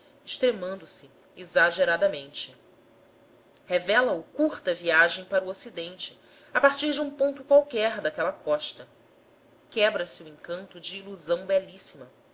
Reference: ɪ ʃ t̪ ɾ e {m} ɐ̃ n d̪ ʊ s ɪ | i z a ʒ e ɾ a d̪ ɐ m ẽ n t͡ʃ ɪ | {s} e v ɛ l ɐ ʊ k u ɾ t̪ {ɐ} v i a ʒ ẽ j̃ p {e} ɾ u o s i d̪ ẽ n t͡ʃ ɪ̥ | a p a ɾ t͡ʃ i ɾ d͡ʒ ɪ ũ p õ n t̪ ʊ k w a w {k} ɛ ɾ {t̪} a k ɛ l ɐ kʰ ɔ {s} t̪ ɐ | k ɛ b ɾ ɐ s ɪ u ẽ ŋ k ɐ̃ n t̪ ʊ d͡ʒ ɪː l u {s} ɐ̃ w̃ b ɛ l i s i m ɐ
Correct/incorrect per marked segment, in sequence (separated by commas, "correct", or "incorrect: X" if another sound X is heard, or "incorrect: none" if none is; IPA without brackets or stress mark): correct, incorrect: h, correct, incorrect: a, correct, incorrect: d̪, incorrect: ʃ, incorrect: z